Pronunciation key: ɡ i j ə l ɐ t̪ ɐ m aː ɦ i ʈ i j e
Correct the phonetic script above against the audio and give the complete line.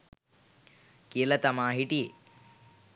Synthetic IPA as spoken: k i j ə l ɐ t̪ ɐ m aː ɦ i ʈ i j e